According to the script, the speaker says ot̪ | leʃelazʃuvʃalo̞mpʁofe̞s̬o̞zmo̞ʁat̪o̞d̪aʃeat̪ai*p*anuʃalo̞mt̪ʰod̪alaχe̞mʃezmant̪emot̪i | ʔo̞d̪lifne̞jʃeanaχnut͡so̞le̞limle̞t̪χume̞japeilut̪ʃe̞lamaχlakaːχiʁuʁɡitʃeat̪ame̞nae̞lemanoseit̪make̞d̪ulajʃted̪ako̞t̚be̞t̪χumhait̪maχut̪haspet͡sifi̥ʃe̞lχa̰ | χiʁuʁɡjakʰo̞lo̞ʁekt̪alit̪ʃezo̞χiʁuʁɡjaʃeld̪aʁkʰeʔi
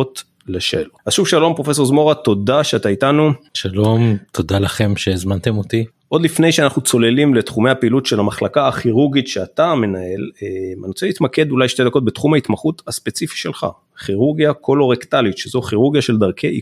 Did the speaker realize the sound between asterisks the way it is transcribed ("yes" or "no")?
no